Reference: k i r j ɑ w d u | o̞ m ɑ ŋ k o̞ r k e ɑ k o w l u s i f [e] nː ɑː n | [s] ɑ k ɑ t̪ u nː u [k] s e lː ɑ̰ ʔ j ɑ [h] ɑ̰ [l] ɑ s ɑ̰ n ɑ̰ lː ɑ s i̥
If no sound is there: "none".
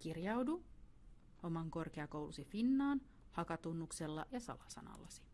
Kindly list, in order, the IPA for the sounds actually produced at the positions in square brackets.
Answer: i, h, k, s, l

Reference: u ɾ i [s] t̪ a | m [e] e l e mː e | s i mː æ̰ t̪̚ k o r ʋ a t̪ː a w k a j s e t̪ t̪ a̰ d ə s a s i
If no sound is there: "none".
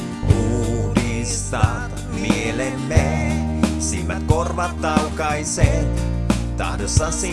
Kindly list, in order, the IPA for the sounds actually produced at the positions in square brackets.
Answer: s, i

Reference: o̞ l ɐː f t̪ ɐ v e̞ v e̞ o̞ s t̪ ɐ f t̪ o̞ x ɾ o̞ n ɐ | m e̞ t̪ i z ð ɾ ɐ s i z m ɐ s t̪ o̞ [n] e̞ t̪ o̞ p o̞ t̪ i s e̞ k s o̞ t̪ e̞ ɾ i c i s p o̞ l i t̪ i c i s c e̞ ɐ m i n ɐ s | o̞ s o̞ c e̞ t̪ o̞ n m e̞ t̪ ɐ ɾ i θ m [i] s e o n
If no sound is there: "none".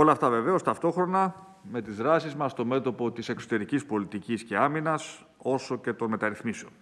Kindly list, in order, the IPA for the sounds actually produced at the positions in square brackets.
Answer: m, i

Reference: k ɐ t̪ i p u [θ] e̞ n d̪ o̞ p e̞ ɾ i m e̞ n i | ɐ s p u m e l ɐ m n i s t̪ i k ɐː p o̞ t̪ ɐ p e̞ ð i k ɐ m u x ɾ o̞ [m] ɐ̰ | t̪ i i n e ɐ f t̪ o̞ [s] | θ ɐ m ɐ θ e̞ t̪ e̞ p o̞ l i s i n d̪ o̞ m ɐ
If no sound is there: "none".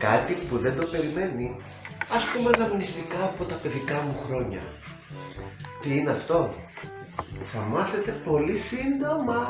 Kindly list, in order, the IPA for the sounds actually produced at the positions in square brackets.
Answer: ð, ɲ, none

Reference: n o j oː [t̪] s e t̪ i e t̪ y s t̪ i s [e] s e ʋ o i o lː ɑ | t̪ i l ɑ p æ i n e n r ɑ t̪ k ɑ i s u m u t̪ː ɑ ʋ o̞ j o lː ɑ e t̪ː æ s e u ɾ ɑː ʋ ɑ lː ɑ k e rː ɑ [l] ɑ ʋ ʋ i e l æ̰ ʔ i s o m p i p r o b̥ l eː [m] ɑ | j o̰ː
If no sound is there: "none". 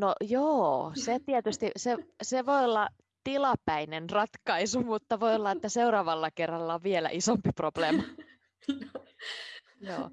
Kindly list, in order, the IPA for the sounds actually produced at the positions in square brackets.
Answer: none, e, lː, m

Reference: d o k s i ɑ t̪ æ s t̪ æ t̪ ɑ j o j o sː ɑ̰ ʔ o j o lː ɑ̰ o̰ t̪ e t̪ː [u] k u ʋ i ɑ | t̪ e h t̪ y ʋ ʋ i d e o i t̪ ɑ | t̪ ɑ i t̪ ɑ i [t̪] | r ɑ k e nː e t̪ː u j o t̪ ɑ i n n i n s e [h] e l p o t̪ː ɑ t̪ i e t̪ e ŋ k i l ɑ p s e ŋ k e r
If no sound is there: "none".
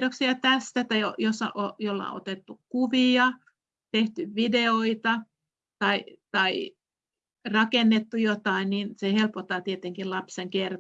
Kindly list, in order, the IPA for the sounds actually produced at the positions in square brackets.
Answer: u, none, h

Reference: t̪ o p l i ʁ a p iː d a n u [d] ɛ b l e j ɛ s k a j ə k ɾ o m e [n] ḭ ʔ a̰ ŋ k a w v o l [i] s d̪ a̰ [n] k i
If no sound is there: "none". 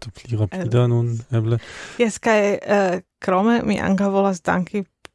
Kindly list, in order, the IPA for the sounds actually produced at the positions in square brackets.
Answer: n, m, a, ŋ

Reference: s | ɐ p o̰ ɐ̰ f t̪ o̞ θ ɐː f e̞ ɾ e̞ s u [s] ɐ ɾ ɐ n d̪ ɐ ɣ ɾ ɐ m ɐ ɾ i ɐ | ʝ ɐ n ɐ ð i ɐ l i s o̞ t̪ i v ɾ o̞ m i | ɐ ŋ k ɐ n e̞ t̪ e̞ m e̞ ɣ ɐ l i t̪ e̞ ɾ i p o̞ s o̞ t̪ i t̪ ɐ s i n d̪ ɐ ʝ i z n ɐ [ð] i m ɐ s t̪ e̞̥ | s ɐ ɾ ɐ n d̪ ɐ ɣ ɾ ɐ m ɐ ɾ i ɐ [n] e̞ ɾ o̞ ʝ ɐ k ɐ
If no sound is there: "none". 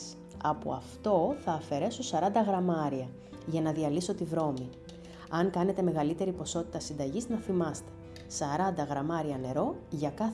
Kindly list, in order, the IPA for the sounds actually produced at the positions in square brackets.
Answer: s, θ, n

